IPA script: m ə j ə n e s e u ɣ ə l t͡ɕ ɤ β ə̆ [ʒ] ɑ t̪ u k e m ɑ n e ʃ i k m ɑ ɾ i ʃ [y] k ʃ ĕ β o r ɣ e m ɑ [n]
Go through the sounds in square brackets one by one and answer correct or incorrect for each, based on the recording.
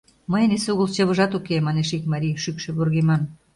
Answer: correct, correct, correct

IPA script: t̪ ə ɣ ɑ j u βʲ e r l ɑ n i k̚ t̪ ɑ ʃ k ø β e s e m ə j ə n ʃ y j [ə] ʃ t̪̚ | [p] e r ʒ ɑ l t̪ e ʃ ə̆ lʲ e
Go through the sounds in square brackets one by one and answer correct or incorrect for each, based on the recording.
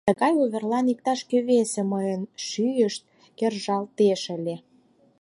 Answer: correct, incorrect: k

